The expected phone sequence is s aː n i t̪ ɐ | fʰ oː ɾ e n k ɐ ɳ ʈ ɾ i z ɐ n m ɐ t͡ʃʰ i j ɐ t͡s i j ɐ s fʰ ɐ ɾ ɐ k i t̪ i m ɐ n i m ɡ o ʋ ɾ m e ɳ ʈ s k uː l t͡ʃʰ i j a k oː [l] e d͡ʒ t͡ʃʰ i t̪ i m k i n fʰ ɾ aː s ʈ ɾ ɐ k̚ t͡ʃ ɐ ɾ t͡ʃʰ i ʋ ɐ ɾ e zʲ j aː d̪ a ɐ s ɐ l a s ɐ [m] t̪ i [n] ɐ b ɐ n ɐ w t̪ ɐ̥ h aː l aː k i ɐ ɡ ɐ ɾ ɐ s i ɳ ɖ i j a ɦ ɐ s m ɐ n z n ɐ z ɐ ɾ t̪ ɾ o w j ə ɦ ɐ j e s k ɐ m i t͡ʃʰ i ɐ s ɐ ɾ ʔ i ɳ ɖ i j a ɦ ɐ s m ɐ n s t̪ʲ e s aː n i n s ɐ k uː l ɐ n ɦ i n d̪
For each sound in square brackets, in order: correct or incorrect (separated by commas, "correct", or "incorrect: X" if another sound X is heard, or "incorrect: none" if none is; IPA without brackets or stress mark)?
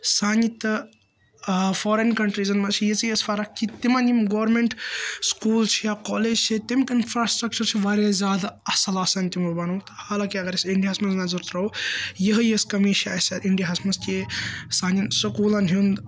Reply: correct, incorrect: n, incorrect: m